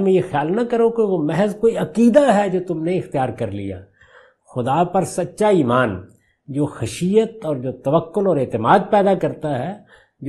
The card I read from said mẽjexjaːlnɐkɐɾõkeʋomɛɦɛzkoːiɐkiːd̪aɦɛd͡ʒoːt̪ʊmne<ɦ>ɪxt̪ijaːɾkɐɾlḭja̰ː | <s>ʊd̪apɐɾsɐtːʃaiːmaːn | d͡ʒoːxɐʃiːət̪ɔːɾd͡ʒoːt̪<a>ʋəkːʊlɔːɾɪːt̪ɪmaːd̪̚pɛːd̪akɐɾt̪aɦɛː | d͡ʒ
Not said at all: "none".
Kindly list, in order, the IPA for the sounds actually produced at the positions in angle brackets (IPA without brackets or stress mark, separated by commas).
none, x, ɐ